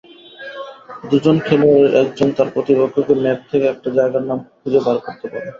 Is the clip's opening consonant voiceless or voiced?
voiced